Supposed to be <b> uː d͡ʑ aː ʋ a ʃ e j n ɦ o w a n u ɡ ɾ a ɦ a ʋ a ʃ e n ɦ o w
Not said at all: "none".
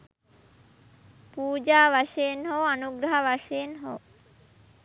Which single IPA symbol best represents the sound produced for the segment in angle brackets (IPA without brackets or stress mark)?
p